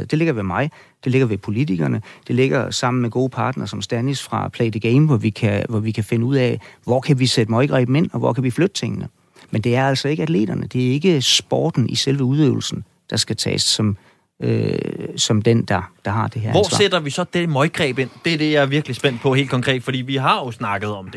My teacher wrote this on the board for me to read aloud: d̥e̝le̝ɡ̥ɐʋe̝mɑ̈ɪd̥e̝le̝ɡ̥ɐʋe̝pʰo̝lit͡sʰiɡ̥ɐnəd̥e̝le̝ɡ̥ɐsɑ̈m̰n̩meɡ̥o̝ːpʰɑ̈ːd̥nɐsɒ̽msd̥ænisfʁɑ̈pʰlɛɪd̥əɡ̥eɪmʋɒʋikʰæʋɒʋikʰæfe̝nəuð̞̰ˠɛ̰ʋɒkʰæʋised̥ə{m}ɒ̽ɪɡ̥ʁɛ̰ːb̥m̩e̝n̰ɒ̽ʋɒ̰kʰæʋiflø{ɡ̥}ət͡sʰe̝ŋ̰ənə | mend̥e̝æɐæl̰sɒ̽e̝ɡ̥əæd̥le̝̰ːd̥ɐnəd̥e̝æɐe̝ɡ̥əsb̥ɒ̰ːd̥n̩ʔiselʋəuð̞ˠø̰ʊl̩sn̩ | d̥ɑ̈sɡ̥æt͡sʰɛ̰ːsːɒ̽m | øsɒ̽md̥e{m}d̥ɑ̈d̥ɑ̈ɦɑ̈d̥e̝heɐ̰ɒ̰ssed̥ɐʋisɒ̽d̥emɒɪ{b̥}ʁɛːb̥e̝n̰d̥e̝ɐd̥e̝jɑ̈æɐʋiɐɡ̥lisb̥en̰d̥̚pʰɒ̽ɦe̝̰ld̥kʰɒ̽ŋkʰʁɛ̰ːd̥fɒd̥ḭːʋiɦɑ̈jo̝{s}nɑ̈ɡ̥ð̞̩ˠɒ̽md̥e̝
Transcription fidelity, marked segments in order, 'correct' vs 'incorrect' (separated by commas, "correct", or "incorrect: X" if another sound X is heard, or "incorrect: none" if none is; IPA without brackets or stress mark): correct, incorrect: d̥, incorrect: n, incorrect: ɡ̥, correct